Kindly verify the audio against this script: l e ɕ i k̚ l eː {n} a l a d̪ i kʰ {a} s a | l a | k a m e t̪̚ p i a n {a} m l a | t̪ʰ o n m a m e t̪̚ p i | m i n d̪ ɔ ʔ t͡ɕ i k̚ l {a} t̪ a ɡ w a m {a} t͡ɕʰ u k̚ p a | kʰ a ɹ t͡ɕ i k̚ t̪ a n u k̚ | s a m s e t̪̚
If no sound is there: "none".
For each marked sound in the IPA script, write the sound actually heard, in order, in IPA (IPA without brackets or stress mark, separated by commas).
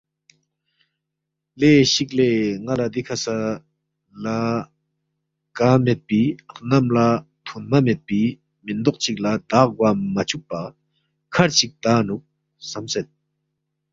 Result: ŋ, a, a, a, a